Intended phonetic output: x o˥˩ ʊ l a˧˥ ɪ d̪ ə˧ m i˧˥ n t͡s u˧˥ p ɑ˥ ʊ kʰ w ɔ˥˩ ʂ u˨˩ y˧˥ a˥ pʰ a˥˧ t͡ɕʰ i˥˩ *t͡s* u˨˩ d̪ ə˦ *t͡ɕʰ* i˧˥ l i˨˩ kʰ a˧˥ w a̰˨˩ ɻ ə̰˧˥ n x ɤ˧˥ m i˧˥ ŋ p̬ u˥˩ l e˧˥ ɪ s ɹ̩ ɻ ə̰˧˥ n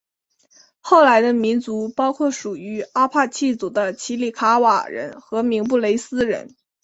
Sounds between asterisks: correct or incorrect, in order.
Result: correct, correct

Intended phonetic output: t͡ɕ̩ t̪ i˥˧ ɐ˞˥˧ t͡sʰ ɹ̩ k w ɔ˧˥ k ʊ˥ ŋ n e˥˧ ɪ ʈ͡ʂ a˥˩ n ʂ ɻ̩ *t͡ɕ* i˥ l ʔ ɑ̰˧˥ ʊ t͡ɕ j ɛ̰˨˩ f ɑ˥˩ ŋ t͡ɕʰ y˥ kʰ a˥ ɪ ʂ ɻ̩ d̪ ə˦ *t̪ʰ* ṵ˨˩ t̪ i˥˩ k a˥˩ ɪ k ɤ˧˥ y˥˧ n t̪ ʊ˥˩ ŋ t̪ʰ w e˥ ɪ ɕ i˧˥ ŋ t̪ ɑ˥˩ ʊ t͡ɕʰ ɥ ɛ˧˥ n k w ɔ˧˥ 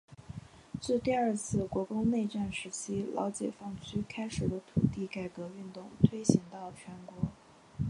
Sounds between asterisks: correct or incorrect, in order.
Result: incorrect: t͡ɕʰ, correct

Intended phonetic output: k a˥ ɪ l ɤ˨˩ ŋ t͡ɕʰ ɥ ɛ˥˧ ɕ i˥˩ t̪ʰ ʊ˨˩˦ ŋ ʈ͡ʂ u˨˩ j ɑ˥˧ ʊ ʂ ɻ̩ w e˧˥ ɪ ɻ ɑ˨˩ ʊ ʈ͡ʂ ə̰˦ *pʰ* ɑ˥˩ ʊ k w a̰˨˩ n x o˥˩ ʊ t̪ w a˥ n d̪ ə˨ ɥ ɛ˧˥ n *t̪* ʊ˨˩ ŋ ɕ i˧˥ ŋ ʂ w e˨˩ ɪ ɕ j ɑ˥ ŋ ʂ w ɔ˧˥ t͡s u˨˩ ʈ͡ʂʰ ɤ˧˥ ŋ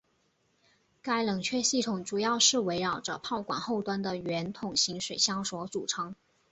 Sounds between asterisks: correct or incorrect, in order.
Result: correct, incorrect: t̪ʰ

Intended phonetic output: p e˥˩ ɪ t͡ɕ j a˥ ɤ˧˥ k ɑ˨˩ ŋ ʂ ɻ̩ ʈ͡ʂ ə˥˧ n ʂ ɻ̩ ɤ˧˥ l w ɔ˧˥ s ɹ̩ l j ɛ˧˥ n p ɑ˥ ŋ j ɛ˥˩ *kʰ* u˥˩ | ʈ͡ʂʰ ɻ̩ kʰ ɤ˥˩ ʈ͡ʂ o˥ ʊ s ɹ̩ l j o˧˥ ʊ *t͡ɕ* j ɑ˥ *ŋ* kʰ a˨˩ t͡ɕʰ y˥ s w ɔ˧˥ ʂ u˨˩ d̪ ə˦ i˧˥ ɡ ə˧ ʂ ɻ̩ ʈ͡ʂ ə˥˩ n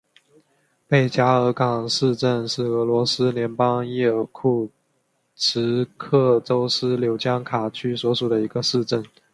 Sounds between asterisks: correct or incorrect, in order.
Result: correct, correct, correct

